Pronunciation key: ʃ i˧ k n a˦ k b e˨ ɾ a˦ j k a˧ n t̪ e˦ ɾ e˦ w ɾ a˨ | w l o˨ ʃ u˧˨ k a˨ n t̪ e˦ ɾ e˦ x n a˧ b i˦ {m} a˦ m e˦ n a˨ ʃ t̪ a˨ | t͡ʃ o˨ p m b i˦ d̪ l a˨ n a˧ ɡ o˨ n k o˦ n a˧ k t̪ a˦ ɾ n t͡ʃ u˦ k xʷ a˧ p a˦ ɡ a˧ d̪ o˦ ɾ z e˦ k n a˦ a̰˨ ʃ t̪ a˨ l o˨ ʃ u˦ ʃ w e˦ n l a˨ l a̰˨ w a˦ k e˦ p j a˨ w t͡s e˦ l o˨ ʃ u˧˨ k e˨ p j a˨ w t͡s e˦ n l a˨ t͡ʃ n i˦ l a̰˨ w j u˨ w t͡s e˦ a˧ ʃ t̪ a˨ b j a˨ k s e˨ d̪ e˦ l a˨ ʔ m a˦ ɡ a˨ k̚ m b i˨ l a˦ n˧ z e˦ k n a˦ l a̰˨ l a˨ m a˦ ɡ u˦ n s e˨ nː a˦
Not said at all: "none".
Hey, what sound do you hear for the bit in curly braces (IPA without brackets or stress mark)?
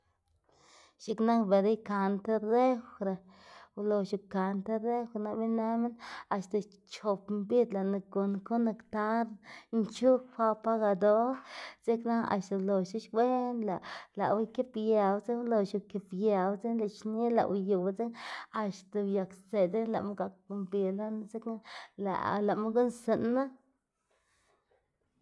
n